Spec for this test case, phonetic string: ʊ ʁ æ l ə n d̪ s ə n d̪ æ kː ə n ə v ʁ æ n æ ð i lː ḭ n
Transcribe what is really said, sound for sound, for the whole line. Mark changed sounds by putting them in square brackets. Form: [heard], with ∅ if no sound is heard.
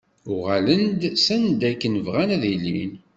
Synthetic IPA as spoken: ʊ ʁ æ l ə n d̪ s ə n d̪ æ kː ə n ə v ʁ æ n æ ð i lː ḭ n